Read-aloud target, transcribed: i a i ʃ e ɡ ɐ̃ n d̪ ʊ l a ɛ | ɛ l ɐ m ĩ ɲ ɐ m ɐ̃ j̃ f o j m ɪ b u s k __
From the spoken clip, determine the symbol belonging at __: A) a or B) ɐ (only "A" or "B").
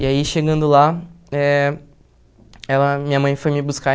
A